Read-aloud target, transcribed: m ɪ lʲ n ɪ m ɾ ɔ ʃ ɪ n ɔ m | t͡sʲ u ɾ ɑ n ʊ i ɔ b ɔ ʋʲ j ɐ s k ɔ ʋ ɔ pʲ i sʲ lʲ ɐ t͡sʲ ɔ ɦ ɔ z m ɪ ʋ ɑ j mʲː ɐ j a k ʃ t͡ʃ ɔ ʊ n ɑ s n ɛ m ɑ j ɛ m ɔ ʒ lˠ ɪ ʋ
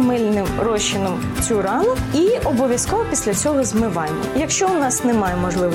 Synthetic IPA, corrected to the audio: m ɪ lʲ n ɪ m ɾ ɔ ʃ ɪ n ɔ m | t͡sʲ u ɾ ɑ n ʊ i ɔ b ɔ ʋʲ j ɐ s k ɔ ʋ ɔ pʲ i sʲ lʲ ɐ t͡sʲ ɔ ɦ ɔ z m ɪ ʋ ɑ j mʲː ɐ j ɐ k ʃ t͡ʃ ɔ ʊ n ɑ s n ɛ m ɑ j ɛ m ɔ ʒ lˠ ɪ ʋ